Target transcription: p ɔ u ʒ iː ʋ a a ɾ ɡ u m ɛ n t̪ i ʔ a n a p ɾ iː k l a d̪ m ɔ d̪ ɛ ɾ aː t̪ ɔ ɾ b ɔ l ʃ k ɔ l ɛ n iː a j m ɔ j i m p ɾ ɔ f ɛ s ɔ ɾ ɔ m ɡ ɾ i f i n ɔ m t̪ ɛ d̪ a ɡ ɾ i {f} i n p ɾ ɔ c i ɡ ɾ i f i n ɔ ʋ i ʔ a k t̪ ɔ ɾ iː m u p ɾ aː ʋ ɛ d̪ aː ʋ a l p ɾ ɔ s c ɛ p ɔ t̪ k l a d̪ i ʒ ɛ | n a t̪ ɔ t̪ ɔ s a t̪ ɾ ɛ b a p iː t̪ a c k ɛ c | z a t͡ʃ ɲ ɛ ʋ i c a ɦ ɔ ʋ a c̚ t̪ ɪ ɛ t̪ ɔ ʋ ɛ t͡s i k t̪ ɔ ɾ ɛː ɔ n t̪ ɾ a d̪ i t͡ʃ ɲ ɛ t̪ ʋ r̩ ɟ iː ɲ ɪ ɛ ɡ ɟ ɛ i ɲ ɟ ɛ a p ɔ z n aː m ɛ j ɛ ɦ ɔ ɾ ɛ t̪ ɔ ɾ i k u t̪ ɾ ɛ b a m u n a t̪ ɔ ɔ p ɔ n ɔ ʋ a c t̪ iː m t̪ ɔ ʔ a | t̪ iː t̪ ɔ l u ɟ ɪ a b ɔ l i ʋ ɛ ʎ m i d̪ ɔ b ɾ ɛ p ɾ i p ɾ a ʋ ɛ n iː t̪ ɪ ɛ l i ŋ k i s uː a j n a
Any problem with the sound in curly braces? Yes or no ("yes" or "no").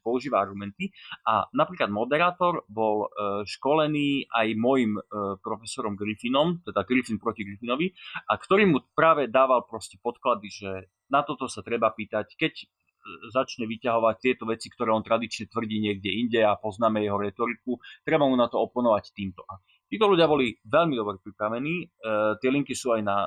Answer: no